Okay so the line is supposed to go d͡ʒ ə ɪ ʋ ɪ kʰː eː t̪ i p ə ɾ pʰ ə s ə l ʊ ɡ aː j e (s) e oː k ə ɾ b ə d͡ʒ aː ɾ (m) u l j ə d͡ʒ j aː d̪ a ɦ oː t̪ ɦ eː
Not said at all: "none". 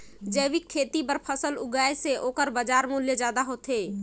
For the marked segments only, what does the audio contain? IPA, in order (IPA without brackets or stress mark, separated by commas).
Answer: s, m